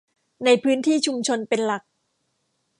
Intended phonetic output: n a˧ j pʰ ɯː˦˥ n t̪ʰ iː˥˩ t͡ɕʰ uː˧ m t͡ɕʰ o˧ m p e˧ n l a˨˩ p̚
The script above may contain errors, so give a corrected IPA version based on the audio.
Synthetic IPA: n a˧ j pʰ ɯː˦˥ n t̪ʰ iː˥˩ t͡ɕʰ u˧ m t͡ɕʰ o˧ n p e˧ n l a˨˩ k̚